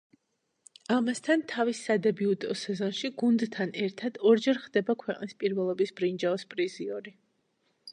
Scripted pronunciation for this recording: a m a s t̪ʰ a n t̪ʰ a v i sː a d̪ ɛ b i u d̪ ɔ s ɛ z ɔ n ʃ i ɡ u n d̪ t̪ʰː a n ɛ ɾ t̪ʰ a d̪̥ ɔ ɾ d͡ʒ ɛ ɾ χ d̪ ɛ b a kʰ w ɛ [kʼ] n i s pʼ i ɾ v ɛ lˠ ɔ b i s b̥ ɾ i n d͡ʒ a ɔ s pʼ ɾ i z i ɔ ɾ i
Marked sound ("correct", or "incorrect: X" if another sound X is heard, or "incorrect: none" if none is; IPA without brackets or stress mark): incorrect: qʼ